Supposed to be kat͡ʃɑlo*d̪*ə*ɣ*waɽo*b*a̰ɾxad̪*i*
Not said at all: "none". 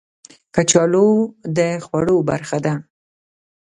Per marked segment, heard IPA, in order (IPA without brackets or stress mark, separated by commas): d̪, x, b, a